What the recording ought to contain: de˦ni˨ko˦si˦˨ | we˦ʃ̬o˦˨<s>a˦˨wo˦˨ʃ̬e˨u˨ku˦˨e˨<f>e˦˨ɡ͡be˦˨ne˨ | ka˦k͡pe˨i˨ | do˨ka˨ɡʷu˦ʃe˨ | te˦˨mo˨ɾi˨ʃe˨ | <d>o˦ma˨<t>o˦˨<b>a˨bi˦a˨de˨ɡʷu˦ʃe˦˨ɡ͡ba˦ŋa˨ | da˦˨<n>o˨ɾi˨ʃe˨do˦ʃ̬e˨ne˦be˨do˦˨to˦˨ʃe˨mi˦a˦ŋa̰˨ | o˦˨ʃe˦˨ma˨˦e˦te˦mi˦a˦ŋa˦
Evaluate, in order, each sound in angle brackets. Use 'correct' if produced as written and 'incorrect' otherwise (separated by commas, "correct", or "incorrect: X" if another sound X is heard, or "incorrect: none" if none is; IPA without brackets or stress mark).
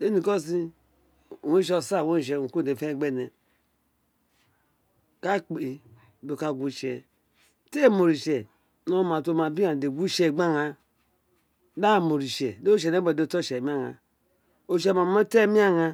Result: correct, correct, incorrect: n, correct, incorrect: m, incorrect: m